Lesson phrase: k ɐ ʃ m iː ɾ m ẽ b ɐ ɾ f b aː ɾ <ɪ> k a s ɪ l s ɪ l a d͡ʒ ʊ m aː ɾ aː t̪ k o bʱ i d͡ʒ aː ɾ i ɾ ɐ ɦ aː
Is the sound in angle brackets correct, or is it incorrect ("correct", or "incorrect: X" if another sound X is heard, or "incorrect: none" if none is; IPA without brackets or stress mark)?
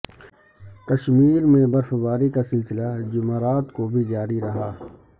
incorrect: i